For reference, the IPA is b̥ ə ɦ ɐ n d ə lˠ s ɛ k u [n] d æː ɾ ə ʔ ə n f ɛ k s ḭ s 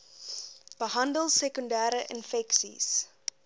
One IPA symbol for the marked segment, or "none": n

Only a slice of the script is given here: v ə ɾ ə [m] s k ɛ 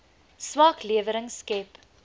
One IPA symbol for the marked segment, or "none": ŋ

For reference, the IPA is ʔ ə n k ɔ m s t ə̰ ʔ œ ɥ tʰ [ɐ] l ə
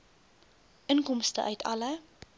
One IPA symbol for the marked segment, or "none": ɐ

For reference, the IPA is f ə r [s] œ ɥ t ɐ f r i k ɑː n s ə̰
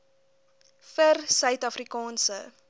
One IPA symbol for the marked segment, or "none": s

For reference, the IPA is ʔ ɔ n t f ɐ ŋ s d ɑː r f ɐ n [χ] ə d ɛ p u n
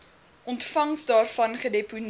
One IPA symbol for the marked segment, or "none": χ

